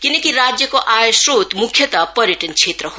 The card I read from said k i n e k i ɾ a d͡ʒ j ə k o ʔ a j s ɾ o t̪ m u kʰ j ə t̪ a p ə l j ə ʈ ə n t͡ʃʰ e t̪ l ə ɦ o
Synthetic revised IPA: k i n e k i ɾ a d͡ʒ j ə k o ʔ a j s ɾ o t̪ m u kʰ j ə t̪ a p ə ɾ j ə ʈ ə n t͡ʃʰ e t̪ ɾ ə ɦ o